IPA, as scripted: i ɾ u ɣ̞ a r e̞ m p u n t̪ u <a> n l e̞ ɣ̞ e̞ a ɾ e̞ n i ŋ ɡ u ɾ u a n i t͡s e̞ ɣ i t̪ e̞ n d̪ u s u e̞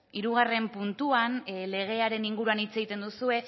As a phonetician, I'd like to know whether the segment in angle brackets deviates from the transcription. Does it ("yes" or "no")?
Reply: no